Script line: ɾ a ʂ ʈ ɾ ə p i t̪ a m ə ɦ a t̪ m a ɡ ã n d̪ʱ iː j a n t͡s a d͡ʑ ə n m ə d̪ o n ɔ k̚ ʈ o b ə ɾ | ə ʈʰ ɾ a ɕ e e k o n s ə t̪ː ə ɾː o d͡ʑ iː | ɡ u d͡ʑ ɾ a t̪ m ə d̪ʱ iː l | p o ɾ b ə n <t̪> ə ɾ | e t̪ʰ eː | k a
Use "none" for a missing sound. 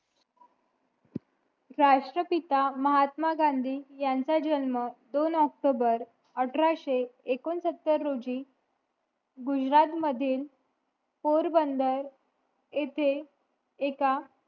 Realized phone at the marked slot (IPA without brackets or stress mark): d̪